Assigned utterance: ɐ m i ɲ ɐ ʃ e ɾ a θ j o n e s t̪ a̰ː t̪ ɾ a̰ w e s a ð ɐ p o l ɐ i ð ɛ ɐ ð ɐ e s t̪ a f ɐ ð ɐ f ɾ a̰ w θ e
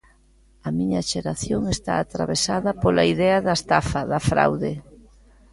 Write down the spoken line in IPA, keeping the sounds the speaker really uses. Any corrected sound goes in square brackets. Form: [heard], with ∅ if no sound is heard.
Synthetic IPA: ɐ m i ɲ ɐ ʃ e ɾ a θ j o [ŋ] e s t̪ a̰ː t̪ ɾ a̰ [β] e s a ð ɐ p o l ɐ i ð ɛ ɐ ð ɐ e s t̪ a f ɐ ð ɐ f ɾ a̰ w [ð] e